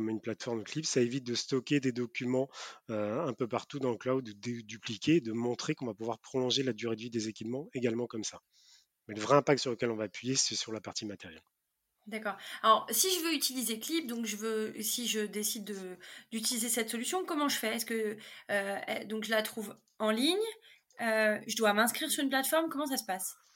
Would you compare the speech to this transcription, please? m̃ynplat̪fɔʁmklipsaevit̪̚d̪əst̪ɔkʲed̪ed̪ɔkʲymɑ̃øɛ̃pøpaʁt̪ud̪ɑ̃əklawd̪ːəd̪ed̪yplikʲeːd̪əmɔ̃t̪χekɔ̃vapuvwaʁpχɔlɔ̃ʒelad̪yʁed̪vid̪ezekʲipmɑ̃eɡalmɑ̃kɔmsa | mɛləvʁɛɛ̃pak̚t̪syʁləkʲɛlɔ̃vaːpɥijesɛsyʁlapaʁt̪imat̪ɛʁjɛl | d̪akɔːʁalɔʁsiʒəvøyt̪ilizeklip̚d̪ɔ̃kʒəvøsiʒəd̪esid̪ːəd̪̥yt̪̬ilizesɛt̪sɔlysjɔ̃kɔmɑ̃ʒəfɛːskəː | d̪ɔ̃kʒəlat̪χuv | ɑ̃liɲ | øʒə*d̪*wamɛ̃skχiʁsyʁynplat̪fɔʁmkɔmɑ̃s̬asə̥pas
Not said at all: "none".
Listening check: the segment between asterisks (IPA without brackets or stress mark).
d̪